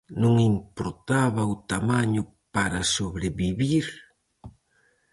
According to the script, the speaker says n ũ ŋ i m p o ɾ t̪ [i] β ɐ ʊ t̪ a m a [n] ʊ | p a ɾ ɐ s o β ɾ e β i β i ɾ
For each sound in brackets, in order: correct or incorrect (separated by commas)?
incorrect, incorrect